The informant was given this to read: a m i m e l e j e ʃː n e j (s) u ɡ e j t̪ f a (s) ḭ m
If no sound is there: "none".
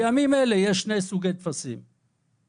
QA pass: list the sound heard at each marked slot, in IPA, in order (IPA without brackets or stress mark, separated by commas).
s, s